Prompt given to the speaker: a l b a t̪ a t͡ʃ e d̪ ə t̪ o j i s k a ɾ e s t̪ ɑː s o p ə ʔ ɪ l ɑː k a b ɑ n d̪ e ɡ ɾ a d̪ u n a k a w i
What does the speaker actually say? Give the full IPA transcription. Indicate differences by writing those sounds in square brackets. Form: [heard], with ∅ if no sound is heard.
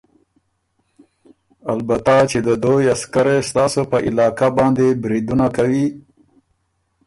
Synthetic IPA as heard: a l b a t̪ a t͡ʃ e d̪ ə [d̪] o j [a] s k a ɾ e s t̪ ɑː s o p ə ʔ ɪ l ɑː k a b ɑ n d̪ e [b] ɾ [i] d̪ u n a k a w i